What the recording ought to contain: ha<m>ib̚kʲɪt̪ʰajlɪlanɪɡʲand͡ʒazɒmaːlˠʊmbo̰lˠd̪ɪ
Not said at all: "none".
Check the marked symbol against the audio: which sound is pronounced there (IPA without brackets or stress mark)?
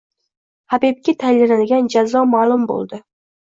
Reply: b